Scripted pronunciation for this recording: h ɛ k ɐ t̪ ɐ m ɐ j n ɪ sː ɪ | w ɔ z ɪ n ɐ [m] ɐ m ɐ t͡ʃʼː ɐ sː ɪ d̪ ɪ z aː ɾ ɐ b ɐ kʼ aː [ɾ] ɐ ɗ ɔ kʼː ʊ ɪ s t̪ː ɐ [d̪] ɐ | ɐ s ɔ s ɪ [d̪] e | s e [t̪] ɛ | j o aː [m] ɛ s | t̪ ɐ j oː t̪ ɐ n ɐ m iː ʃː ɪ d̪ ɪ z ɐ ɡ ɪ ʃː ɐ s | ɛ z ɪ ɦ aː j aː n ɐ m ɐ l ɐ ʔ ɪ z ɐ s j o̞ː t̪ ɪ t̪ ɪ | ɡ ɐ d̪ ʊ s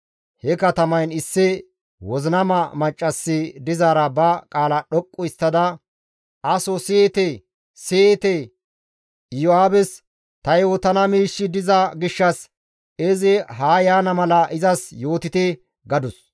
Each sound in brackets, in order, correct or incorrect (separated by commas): correct, incorrect, correct, incorrect, correct, incorrect